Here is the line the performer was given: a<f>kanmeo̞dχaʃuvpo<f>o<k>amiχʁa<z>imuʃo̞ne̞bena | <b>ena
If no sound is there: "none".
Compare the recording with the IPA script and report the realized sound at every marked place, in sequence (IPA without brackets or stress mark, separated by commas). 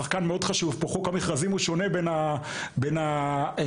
χ, χ, k, z, b